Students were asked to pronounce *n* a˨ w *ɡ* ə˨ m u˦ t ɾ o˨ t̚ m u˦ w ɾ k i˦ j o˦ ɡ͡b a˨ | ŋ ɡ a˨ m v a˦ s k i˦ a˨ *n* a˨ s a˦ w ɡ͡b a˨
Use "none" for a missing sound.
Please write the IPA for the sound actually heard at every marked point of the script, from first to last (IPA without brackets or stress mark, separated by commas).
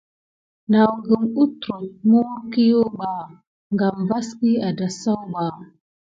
n, ɡ, d